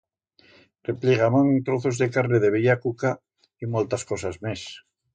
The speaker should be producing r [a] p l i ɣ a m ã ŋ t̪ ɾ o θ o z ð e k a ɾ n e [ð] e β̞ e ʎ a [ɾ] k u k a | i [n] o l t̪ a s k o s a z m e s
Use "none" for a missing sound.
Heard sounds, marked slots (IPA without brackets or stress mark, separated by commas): e, ð, none, m